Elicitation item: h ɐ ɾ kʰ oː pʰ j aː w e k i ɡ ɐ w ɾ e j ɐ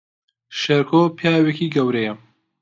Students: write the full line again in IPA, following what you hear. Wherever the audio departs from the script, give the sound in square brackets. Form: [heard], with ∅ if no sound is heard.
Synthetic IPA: [ʃ] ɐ ɾ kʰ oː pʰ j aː w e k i ɡ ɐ w ɾ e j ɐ